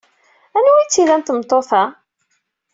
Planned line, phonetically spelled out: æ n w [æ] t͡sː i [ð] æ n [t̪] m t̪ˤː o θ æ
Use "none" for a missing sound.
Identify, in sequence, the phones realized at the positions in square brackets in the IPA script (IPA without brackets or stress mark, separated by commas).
i, ð, t̪